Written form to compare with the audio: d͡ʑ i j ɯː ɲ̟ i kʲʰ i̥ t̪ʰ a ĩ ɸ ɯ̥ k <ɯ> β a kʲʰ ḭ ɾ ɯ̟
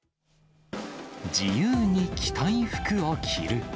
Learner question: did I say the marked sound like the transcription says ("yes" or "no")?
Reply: yes